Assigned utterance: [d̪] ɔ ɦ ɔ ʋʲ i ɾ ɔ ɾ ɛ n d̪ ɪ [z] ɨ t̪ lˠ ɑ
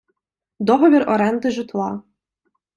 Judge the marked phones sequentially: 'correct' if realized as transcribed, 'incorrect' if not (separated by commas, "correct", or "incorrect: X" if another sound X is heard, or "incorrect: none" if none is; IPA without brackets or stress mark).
correct, incorrect: ʒ